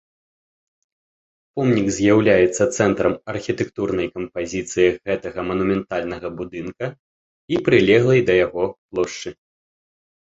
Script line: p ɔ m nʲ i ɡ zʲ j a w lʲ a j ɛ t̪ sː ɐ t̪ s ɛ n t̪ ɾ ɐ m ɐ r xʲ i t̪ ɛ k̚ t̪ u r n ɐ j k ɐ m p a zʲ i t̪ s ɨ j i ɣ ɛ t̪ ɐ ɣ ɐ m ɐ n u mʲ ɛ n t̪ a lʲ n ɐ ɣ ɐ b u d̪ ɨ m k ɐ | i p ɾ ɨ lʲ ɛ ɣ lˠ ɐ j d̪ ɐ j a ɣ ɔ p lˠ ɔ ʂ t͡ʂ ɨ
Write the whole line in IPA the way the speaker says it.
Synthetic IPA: p ɔ m nʲ i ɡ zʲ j a w lʲ a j ɛ t̪ sː ɐ t̪ s ɛ n t̪ ɾ ɐ m ɐ r xʲ i t̪ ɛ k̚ t̪ u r n ɐ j k ɐ m p a zʲ i t̪ s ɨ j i ɣ ɛ t̪ ɐ ɣ ɐ m ɐ n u mʲ ɛ n t̪ a lʲ n ɐ ɣ ɐ b u d̪ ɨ n k ɐ | i p ɾ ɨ lʲ ɛ ɣ lˠ ɐ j d̪ ɐ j a ɣ ɔ p lˠ ɔ ʂ t͡ʂ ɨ